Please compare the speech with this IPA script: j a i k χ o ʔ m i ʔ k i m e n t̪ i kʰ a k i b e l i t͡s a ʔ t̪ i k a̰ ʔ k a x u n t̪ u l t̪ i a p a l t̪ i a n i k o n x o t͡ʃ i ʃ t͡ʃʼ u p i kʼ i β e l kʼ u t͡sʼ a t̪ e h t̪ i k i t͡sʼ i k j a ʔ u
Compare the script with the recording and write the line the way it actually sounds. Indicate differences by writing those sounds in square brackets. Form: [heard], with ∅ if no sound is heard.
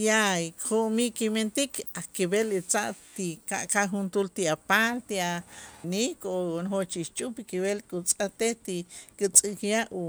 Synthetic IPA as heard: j a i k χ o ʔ m i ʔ k i m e n t̪ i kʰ a k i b e l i t͡s a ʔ t̪ i k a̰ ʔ k a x u n t̪ u l t̪ i a p a l t̪ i a n i k o n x o t͡ʃ i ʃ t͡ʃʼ u p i [k] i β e l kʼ u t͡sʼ a t̪ e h t̪ i k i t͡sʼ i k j a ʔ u